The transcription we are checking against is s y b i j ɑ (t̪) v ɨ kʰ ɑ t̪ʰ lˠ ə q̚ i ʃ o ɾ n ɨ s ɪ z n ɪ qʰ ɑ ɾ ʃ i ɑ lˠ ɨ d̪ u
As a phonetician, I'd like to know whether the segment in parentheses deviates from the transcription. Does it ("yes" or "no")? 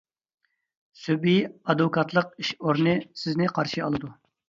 yes